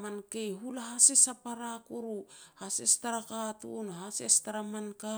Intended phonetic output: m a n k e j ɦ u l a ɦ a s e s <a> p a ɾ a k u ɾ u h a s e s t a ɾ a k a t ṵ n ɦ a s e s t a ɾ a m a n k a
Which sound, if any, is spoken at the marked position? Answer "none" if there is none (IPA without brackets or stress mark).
a